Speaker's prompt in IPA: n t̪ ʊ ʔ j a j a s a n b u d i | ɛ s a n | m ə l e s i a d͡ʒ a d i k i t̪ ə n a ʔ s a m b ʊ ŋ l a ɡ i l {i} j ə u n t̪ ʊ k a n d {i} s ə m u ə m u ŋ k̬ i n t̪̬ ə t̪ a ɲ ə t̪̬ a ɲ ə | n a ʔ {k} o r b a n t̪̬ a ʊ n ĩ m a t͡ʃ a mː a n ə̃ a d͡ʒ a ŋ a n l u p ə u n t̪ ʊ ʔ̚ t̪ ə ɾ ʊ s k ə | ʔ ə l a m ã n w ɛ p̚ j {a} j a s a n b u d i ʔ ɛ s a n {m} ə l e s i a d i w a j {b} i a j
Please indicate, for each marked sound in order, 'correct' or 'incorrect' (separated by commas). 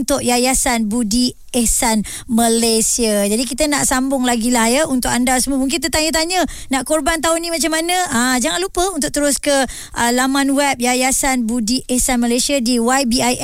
incorrect, incorrect, correct, correct, correct, correct